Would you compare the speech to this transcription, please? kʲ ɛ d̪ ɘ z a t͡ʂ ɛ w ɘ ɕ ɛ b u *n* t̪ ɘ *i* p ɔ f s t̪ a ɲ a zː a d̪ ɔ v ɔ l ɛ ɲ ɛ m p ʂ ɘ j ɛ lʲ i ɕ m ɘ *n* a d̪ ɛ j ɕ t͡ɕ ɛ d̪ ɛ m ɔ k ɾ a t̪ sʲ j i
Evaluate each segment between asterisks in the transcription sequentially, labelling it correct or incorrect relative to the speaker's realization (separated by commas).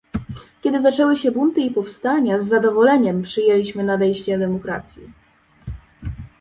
correct, correct, correct